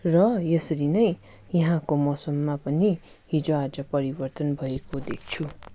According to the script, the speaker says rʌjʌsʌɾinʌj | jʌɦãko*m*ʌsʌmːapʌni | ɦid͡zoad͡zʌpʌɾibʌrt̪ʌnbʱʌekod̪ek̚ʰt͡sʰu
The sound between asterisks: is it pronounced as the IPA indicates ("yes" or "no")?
yes